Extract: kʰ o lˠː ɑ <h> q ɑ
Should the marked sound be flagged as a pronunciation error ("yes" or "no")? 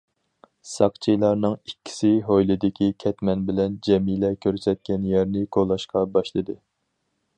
yes